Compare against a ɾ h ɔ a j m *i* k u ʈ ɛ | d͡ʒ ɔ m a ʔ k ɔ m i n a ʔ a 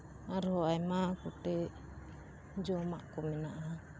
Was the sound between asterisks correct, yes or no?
no